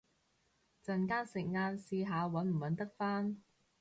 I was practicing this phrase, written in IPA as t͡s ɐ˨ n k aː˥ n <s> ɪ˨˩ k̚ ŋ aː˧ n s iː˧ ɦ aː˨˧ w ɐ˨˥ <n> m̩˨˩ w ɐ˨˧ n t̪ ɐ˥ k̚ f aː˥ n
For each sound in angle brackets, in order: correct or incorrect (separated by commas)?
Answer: correct, correct